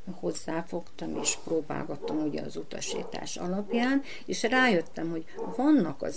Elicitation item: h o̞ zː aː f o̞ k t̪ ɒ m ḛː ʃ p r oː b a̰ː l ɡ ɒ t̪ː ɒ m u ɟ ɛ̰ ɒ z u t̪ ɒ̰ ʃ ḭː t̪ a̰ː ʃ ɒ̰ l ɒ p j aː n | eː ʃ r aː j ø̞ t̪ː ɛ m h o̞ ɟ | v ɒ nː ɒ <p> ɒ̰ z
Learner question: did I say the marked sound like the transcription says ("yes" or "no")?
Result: no